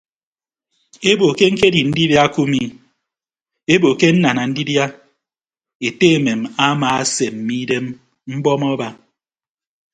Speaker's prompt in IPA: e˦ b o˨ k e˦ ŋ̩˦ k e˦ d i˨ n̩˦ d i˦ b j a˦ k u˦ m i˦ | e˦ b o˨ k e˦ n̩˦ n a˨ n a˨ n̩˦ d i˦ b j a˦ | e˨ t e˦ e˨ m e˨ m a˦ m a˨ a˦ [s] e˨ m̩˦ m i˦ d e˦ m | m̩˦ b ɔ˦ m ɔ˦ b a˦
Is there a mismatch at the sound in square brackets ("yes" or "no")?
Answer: no